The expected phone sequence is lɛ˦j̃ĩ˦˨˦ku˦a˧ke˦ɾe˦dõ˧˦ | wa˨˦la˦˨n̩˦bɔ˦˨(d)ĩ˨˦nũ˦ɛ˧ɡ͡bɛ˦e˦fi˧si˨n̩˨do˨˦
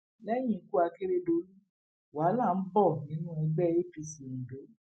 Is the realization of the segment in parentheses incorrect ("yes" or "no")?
yes